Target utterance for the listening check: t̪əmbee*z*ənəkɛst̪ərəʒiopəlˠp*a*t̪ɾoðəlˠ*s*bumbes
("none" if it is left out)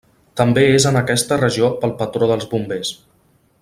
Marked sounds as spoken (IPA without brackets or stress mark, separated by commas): z, ə, z